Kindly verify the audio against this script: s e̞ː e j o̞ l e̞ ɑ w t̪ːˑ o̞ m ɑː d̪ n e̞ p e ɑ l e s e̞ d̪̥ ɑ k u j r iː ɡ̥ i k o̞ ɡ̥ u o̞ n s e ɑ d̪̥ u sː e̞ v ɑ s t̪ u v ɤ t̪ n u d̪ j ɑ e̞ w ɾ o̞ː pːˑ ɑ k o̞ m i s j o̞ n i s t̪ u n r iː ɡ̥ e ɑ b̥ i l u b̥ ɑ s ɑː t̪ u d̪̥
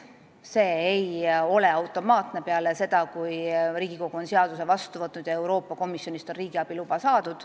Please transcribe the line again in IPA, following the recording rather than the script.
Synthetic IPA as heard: s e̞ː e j o̞ l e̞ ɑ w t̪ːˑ o̞ m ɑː t̪ n e̞ p e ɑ l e s e̞ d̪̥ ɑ k u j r iː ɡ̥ i k o̞ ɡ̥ u o̞ n s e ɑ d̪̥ u s e̞ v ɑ s t̪ u v ɤ t̪ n u d̪ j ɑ e̞ w ɾ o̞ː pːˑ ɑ k o̞ m i s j o̞ n i s t̪ o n r iː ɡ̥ i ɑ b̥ i l u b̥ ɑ s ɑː d̪ u d̪̥